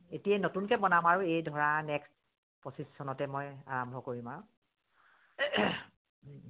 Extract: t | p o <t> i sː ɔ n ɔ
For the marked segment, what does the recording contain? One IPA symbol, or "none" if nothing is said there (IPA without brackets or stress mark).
s